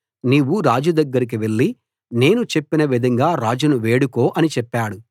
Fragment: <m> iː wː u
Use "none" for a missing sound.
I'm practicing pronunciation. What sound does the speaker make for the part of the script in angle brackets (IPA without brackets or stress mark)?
n